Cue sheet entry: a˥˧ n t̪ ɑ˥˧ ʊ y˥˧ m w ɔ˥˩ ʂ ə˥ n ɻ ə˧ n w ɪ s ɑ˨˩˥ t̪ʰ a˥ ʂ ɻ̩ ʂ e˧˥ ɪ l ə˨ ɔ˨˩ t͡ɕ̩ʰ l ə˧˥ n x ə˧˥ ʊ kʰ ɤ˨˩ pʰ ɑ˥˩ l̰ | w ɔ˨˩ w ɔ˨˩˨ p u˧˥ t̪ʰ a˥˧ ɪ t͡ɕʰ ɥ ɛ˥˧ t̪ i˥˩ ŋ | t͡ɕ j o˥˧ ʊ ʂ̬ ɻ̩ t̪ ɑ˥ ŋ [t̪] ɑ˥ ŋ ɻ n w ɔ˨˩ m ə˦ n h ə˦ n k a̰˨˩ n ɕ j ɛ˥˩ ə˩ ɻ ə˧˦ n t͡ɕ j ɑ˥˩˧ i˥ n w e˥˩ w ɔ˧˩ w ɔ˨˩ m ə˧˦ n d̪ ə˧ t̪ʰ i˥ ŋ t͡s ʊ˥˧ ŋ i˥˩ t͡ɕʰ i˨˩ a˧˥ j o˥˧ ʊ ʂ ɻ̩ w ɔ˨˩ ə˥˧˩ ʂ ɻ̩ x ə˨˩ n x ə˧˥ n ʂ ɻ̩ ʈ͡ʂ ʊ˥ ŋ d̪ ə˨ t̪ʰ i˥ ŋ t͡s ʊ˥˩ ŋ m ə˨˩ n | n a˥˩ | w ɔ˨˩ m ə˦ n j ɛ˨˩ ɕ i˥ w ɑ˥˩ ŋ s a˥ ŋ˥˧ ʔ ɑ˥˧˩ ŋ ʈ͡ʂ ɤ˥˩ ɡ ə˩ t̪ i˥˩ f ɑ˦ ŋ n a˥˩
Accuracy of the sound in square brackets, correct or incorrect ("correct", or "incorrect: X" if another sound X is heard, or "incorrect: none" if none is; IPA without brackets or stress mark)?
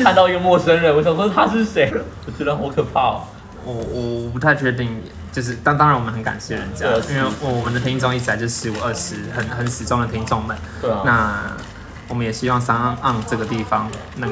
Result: correct